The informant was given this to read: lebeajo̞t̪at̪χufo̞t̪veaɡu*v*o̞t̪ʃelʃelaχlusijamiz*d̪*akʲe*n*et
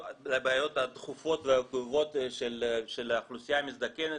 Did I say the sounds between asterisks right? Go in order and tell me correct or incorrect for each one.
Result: correct, correct, correct

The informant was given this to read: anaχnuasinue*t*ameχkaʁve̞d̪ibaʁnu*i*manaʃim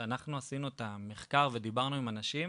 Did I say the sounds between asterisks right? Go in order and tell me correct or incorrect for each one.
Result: correct, correct

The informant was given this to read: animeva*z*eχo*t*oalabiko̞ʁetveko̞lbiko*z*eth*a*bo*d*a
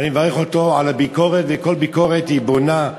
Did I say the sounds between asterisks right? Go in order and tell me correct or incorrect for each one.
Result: incorrect: ʁ, correct, incorrect: ʁ, incorrect: i, incorrect: n

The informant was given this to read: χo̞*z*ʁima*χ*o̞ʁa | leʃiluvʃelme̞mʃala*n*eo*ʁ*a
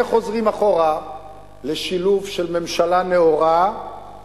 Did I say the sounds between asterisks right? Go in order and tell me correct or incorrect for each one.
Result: correct, correct, correct, correct

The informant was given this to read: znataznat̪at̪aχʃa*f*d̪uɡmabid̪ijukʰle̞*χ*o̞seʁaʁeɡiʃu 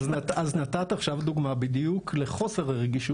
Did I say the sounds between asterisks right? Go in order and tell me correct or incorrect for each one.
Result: incorrect: v, correct

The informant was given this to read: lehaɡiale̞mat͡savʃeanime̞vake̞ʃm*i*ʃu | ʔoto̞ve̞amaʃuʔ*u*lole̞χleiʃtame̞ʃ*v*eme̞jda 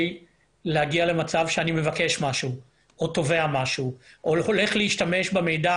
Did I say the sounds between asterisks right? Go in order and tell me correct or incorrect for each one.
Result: incorrect: a, incorrect: o, incorrect: b

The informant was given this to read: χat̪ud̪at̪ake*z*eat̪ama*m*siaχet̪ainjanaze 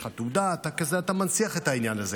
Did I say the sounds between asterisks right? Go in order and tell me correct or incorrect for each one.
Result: correct, incorrect: n

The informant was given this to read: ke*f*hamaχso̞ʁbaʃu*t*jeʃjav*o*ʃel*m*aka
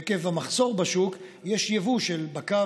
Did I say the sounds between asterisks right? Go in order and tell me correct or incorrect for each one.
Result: incorrect: v, incorrect: k, incorrect: u, incorrect: b

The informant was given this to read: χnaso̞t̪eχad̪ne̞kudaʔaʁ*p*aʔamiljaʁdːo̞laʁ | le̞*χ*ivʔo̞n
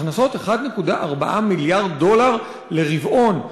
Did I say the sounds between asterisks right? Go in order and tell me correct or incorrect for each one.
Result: incorrect: b, incorrect: ʁ

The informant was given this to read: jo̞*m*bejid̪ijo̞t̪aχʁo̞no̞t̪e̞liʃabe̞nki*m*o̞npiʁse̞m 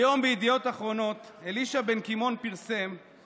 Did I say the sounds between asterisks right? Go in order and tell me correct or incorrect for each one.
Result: correct, correct

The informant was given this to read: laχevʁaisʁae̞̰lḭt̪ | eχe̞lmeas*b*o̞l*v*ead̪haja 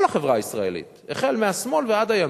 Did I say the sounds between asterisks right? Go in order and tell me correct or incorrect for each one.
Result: incorrect: m, correct

